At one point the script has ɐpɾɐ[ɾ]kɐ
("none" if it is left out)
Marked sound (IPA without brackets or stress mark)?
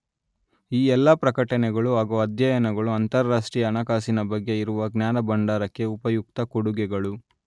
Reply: none